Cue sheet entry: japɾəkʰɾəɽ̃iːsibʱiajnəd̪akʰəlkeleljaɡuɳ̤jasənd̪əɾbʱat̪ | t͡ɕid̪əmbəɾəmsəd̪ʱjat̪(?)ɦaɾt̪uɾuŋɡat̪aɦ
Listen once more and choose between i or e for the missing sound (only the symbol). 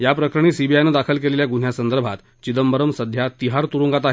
i